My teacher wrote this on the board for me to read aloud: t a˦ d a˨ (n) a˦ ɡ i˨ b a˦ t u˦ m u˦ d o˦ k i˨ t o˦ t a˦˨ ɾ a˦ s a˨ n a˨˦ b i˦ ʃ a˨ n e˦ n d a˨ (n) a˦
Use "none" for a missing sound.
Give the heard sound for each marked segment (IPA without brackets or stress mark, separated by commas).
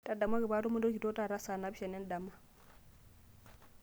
m, m